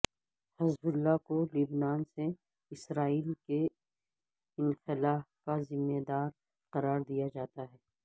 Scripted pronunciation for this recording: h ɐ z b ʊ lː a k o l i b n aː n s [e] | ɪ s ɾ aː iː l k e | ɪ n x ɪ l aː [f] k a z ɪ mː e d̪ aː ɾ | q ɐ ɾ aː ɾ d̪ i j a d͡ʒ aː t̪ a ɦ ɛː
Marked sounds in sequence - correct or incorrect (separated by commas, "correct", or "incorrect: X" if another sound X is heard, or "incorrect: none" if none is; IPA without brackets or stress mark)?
correct, correct